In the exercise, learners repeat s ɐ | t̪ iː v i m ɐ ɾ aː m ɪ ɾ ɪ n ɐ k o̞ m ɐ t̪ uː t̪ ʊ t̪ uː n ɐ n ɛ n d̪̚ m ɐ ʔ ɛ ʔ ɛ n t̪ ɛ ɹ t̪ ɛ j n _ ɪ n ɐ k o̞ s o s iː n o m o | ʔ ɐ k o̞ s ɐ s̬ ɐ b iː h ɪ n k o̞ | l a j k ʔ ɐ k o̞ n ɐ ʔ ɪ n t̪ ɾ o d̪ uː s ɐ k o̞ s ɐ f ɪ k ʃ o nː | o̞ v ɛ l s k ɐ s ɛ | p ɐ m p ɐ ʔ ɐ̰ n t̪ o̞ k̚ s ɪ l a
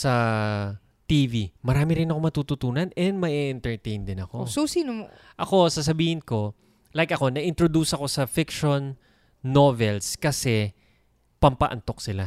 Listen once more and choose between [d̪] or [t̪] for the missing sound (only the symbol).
d̪